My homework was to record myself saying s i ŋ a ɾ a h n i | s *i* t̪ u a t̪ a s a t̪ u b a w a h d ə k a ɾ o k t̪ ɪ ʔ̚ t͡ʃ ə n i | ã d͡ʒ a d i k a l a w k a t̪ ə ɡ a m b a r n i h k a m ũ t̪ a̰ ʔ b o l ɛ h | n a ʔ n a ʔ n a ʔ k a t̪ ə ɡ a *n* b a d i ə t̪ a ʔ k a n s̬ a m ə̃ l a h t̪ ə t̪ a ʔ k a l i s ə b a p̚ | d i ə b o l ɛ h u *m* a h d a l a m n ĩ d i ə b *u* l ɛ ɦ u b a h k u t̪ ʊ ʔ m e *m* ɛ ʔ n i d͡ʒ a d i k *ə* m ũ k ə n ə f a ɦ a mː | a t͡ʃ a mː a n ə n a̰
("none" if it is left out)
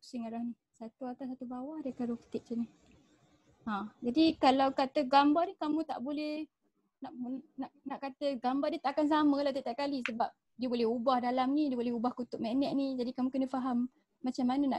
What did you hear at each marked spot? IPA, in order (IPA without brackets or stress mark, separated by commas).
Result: a, m, b, o, n, a